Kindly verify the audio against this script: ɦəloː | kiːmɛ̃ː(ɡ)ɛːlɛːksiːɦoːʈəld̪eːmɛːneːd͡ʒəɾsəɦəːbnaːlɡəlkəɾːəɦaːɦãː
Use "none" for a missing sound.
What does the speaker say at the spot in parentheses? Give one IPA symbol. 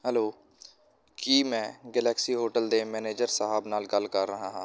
ɡ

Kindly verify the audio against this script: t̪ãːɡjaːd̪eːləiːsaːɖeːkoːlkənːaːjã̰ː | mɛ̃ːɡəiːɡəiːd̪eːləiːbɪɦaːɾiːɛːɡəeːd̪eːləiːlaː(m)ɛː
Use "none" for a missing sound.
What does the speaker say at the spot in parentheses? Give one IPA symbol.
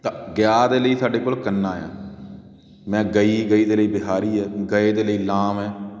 m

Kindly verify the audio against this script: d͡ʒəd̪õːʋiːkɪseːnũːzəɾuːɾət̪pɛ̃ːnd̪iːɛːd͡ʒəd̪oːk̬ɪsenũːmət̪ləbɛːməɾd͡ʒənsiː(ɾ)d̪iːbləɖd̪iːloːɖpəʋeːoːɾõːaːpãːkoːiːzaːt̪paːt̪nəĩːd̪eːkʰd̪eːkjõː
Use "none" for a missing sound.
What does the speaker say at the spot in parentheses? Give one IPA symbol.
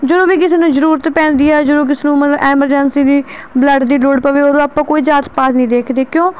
none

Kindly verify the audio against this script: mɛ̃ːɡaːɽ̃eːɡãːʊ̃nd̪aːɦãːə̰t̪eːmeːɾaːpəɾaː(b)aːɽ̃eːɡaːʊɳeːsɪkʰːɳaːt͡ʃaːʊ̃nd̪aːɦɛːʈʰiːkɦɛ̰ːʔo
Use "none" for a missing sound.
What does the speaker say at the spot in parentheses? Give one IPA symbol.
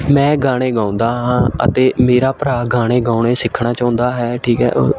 ɡ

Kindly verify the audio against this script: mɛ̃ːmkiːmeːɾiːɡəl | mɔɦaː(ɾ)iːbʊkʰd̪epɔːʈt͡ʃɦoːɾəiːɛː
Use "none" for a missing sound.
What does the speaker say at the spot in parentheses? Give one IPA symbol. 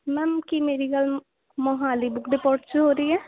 l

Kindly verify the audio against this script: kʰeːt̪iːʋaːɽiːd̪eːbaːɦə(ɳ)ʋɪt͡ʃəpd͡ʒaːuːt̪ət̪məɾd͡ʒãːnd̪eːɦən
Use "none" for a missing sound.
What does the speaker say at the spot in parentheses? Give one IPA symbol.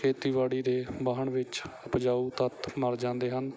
ɳ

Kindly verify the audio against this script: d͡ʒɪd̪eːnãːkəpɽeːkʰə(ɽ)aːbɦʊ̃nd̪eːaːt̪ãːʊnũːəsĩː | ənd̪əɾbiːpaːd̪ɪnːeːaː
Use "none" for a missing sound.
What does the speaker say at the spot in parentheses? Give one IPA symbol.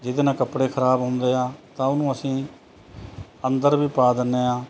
ɾ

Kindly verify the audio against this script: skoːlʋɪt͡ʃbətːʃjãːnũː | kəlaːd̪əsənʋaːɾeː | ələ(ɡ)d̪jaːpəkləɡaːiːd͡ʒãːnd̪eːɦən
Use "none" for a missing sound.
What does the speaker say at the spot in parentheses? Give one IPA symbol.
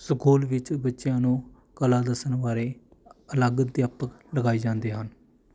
ɡ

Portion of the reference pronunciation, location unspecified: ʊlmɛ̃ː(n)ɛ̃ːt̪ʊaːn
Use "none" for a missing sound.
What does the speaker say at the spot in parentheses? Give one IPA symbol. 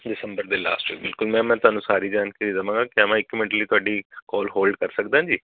m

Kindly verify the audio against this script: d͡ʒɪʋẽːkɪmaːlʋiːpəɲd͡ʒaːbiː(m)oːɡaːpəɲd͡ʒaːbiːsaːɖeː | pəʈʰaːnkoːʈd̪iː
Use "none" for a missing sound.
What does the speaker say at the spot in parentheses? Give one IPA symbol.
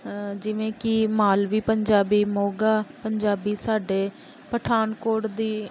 m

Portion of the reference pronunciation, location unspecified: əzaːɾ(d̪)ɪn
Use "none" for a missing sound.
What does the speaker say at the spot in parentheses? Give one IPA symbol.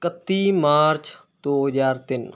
t̪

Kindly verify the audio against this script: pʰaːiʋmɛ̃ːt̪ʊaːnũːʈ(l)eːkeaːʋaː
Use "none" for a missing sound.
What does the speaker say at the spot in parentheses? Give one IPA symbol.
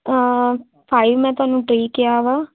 ɾ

